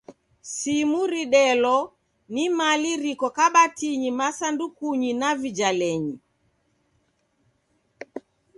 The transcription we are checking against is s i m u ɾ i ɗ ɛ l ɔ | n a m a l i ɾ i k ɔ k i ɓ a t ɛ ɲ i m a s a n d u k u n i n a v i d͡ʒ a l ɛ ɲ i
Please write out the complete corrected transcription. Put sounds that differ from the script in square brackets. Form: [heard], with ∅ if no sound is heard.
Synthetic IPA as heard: s i m u ɾ i ɗ ɛ l ɔ | n [i] m a l i ɾ i k ɔ k [a] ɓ a t [i] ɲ i m a s a n d u k u [ɲ] i n a v i d͡ʒ a l ɛ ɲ i